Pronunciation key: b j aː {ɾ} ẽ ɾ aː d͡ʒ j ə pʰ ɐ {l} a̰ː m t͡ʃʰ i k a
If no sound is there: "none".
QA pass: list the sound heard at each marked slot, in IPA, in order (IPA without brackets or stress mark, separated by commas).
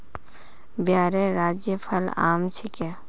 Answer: ɾ, l